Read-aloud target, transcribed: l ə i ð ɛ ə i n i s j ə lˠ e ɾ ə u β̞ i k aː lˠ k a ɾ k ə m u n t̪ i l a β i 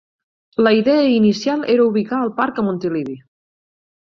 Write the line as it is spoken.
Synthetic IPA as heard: l ə i ð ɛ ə i n i s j a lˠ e ɾ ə u β̞ i k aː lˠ p a ɾ k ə m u n t̪ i l i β i

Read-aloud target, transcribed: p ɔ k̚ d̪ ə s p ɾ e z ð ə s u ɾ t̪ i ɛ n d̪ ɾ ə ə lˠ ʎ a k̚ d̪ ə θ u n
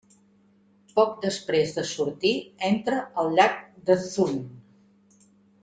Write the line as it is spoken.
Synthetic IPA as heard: p ɔ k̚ d̪ ə s p ɾ e z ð ə s u ɾ t̪ i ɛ n t̪ ɾ ə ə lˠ ʎ a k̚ d̪ ə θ u n

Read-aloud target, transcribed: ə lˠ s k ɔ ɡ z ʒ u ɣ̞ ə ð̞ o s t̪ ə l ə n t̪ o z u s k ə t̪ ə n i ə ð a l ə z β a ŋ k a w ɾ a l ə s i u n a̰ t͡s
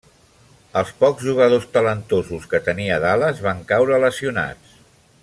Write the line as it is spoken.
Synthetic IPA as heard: ə lˠ s p ɔ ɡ z ʒ u ɣ̞ ə ð̞ o s t̪ ə l ə n t̪ o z u s k ə t̪ ə n i ə ð a l ə z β a ŋ k a w ɾ ə l ə s i u n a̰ t͡s

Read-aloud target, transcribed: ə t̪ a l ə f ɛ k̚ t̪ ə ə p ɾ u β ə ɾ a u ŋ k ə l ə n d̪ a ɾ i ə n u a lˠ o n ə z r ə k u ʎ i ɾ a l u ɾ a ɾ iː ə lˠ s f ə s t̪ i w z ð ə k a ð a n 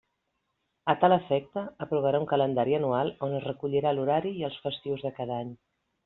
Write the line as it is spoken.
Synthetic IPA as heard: ə t̪ a l ə f ɛ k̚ t̪ ə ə p ɾ u β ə ɾ a u ŋ k ə l ə n d̪ a ɾ i ə n u a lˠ o n ə z r ə k u ʎ i ɾ a l u ɾ a ɾ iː ə lˠ s f ə s t̪ i w z ð ə k a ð a ɲ

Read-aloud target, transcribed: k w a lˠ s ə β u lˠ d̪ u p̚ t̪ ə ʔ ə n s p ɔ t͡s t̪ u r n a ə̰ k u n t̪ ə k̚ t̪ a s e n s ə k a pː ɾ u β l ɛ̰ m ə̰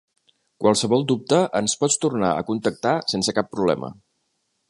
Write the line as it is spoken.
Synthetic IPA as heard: k w a lˠ s ə β ɔ lˠ d̪ u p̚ t̪ ə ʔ ə n s p ɔ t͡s t̪ u r n a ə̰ k u n t̪ ə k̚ t̪ a s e n s ə k a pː ɾ u β l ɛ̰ m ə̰

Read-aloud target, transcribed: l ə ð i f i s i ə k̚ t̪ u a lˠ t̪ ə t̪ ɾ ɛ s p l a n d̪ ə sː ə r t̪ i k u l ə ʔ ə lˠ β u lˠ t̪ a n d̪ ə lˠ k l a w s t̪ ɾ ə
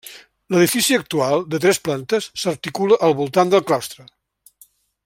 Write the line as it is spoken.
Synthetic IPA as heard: l ə ð i f i s i ə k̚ t̪ u a lˠ d̪ ə t̪ ɾ ɛ s p l a n t̪ ə sː ə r t̪ i k u l ə ʔ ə lˠ β u lˠ t̪ a n d̪ ə lˠ k l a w s t̪ ɾ ə

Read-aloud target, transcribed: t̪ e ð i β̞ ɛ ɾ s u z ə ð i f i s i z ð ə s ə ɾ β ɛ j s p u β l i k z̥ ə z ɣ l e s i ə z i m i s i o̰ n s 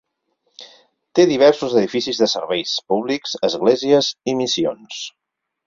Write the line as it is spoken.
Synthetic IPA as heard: t̪ e ð i β̞ ɛ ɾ s u z ə ð i f i s i z ð ə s ə ɾ β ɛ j s p u β l i k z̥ ə z ɣ l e z i ə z i m i s i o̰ n s

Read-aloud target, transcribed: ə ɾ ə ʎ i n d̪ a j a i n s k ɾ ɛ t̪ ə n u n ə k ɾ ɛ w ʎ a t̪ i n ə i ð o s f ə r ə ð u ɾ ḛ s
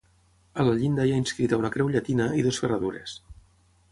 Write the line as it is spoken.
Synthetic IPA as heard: ə l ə ʎ i n d̪ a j a i n s k ɾ i t̪ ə u n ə k ɾ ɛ w ʎ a t̪ i n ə i ð o s f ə r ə ð u ɾ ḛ s

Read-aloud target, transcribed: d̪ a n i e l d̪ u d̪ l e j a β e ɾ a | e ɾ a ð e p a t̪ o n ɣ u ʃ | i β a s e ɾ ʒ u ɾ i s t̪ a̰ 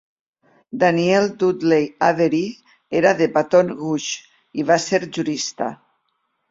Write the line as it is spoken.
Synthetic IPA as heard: d̪ a n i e l d̪ u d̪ l e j a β e ɾ i | e ɾ a ð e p a t̪ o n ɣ u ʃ | i β a s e ɾ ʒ u ɾ i s t̪ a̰

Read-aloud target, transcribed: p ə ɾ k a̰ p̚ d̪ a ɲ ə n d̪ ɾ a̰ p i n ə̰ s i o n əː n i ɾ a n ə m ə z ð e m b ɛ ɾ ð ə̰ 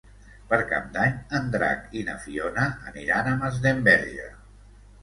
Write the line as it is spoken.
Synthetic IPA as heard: p ə ɾ k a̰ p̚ d̪ a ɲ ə n d̪ ɾ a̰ k i n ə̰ f i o n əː n i ɾ a n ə m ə z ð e m b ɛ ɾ ʒ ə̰

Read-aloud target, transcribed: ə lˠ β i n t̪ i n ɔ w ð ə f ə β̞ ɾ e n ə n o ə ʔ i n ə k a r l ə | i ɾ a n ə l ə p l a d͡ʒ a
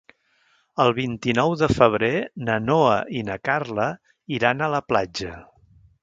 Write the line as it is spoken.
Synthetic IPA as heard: ə lˠ β i n t̪ i n ɔ w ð ə f ə β̞ ɾ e n ə n o ə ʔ i n ə k a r l ə | i ɾ a n ə l ə p l a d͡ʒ ə

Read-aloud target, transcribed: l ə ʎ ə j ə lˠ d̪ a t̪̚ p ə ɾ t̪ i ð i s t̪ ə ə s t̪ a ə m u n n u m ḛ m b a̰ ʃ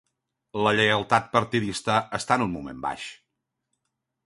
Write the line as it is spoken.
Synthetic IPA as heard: l ə ʎ ə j ə lˠ t̪ a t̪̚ p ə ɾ t̪ i ð i s t̪ ə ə s t̪ a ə n u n m u m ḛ m b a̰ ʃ

